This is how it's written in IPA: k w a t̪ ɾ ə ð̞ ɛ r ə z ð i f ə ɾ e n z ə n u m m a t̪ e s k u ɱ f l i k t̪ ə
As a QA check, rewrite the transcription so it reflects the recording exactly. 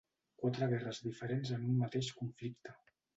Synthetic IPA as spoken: k w a t̪ ɾ ə ɣ̞ ɛ r ə z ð i f ə ɾ e n z ə n u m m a t̪ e ʃ k u ɱ f l i k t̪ ə